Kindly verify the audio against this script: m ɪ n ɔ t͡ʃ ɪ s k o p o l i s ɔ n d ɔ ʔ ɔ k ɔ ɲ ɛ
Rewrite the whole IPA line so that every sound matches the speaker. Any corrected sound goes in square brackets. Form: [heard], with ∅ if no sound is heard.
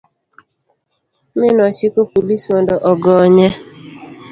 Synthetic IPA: m ɪ n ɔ t͡ʃ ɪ [∅] k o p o l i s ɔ n d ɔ ʔ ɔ [ɡ] ɔ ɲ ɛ